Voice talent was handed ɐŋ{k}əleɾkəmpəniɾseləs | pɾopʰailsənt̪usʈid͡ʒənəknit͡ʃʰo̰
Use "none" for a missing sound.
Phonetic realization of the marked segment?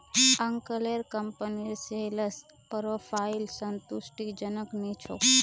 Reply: k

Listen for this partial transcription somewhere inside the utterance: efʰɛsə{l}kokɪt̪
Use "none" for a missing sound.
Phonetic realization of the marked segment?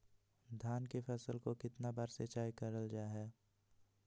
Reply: l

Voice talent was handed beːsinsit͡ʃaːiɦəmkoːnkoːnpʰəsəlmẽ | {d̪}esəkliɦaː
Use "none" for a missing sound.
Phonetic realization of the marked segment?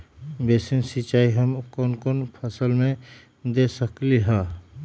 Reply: d̪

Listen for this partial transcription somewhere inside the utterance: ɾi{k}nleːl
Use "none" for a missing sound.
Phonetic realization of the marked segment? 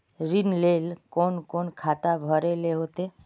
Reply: none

